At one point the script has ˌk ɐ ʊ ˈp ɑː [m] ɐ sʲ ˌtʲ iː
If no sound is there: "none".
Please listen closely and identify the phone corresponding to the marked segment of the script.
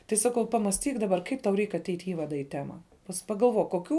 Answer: m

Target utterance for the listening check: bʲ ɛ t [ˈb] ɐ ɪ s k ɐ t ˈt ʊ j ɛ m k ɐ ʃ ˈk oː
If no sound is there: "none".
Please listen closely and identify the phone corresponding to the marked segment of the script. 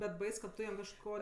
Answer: b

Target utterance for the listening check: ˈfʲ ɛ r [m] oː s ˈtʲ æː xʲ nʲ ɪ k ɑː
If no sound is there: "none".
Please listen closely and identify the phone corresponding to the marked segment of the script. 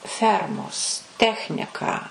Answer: m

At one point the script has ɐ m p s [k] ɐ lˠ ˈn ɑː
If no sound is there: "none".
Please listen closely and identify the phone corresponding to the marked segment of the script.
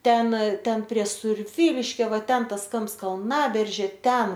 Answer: k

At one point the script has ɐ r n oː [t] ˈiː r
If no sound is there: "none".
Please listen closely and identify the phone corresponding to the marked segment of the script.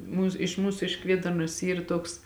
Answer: s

